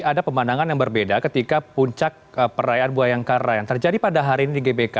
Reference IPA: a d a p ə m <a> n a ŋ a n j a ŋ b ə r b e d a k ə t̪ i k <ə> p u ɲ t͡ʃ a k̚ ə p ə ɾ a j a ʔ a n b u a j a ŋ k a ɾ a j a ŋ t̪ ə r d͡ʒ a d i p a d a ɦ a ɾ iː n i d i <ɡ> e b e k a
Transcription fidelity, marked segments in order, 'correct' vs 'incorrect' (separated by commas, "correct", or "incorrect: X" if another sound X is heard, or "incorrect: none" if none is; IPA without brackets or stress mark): correct, incorrect: a, correct